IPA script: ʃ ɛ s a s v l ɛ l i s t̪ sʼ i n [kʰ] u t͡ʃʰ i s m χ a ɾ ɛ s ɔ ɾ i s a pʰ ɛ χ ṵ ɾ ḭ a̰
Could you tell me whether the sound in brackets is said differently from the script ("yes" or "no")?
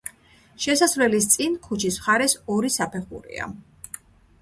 no